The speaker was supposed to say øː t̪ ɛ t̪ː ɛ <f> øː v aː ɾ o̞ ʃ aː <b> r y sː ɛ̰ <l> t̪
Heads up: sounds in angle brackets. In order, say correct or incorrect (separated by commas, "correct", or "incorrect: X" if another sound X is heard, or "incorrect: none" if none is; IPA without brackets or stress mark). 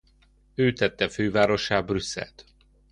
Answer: correct, correct, correct